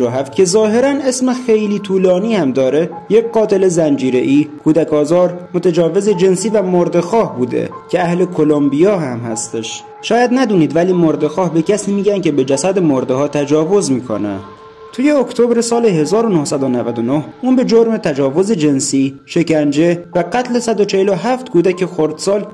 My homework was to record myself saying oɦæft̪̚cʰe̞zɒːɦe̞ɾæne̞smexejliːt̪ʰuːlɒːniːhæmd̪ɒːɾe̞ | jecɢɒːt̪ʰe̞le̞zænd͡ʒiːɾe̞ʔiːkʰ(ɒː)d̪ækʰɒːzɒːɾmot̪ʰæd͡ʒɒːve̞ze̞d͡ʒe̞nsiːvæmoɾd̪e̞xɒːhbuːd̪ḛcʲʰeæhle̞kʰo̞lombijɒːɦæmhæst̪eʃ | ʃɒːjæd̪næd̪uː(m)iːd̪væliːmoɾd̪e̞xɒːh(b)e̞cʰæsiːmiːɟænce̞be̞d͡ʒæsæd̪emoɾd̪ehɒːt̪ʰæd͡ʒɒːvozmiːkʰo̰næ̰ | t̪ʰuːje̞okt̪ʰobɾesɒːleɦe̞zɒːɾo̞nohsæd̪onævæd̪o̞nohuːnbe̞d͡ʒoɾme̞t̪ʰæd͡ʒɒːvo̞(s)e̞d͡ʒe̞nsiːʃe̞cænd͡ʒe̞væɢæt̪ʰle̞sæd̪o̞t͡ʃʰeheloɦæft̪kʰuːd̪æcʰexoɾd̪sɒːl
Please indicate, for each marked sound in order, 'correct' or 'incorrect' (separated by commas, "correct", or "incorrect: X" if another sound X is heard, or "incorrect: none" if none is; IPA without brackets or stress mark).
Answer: incorrect: uː, incorrect: n, correct, incorrect: z